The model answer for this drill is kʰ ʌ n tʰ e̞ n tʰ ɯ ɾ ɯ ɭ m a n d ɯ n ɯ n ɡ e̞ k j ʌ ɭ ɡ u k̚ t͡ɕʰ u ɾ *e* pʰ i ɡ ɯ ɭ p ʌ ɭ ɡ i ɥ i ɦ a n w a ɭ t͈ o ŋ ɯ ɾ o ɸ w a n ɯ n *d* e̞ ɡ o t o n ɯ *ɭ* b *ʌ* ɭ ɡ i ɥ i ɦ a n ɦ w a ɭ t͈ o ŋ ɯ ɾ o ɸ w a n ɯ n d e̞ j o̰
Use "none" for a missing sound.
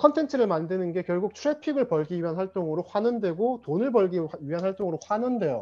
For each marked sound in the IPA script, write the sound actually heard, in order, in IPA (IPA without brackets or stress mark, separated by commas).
e, d, ɭ, ʌ